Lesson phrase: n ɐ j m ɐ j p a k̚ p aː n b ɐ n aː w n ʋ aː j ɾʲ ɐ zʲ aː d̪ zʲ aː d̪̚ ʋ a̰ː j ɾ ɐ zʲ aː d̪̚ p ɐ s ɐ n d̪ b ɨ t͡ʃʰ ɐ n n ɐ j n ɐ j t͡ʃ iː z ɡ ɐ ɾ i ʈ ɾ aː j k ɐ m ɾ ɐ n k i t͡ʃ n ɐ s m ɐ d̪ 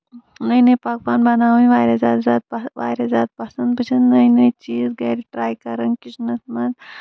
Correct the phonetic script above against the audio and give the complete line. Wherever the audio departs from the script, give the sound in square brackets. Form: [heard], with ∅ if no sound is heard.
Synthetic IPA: n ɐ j [n] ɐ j p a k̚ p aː n b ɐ n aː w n ʋ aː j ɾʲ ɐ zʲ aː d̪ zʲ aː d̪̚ ʋ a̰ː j ɾ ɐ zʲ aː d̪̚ p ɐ s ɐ n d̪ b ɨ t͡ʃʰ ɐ n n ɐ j n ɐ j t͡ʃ iː z ɡ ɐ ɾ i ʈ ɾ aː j k ɐ [∅] ɾ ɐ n k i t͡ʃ n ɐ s m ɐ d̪